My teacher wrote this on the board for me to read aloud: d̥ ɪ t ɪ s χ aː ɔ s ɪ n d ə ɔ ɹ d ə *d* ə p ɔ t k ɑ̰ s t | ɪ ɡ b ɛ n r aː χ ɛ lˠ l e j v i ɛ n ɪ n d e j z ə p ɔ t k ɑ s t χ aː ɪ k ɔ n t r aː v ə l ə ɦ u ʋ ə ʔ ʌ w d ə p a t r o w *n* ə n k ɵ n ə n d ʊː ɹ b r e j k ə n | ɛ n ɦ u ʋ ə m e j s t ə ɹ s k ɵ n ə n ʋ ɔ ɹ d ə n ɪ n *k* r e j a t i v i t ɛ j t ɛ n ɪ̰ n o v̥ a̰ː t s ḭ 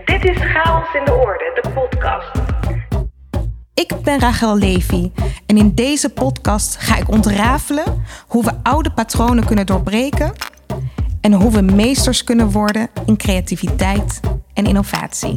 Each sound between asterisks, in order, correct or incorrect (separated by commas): correct, correct, correct